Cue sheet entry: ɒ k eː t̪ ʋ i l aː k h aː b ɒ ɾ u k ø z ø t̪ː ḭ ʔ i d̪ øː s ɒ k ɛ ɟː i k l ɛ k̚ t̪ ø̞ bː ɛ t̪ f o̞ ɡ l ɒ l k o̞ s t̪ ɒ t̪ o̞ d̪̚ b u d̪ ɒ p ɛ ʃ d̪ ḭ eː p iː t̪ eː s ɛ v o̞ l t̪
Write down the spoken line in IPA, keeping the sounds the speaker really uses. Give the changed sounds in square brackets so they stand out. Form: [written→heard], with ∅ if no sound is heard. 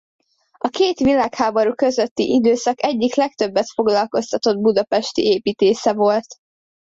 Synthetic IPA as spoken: ɒ k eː t̪ ʋ i l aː k h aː b ɒ ɾ u k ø z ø t̪ː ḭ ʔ i d̪ øː s ɒ k ɛ ɟː i k l ɛ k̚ t̪ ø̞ bː ɛ t̪ f o̞ ɡ l ɒ l k o̞ s t̪ ɒ t̪ o̞ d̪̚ b u d̪ ɒ p ɛ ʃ [d̪→t̪] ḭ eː p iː t̪ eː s ɛ v o̞ l t̪